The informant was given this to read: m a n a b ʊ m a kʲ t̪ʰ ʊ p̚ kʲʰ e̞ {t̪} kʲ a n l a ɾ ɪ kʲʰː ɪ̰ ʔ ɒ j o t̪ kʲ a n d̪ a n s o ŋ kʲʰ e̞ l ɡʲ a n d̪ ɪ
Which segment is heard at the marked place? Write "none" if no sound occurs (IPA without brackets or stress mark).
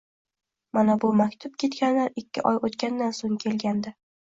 t̪